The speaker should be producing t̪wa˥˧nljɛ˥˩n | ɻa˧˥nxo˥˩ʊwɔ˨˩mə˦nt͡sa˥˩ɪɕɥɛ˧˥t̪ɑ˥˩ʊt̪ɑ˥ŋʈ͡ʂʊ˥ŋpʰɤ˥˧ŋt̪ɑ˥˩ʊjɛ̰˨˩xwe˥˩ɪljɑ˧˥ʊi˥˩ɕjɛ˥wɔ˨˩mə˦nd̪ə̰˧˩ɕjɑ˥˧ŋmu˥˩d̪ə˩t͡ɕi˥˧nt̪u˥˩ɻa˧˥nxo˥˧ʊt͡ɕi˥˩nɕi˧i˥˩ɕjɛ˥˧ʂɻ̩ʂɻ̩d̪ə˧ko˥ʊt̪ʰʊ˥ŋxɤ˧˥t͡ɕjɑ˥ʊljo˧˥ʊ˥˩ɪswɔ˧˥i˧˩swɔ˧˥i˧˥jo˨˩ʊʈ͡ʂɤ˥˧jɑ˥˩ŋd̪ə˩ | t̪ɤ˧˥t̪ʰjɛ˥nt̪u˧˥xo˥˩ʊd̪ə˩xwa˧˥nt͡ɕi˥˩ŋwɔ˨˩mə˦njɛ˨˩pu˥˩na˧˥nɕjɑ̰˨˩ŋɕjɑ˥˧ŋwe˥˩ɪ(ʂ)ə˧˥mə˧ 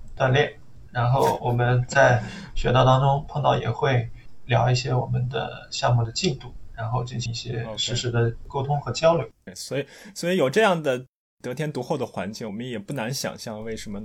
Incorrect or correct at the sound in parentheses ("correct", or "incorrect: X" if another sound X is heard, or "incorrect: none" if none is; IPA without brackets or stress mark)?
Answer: correct